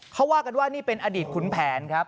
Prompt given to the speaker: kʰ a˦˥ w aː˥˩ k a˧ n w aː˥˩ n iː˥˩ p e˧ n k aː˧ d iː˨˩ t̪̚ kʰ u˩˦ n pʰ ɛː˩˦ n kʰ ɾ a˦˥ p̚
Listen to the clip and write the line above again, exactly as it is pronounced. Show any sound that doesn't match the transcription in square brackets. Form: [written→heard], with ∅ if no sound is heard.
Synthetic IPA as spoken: kʰ a˦˥ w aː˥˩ k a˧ n w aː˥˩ n iː˥˩ p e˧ n [k→ʔ] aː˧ d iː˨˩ t̪̚ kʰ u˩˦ n pʰ ɛː˩˦ n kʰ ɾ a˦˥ p̚